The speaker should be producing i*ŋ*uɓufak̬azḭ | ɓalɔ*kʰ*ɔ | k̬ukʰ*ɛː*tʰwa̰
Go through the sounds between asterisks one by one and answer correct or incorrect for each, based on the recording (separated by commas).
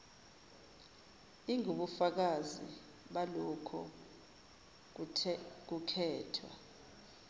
correct, correct, correct